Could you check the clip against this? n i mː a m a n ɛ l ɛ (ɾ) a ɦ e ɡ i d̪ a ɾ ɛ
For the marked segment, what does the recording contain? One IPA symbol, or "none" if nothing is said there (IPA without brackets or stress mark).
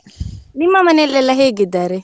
l